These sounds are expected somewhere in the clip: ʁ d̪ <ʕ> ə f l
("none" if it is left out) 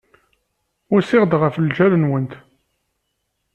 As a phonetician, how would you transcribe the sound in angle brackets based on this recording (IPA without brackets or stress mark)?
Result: ʁ